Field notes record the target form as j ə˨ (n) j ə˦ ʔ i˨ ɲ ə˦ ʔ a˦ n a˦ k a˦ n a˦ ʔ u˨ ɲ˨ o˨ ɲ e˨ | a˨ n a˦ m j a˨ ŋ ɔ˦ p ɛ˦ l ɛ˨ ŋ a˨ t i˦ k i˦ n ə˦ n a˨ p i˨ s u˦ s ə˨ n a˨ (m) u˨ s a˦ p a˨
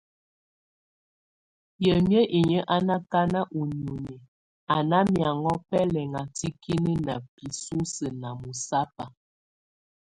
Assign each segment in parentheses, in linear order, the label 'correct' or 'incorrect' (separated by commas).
incorrect, correct